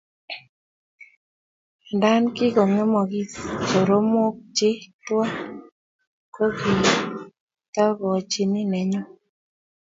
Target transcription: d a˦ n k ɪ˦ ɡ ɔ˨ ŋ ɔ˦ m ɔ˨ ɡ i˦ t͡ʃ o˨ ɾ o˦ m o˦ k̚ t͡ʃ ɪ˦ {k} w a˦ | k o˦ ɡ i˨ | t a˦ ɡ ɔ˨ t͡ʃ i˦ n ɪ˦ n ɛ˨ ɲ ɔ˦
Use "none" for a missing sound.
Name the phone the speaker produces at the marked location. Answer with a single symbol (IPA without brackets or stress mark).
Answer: t